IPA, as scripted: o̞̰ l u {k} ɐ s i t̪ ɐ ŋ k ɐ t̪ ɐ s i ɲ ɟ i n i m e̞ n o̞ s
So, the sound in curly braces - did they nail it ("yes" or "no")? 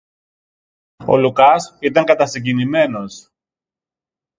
yes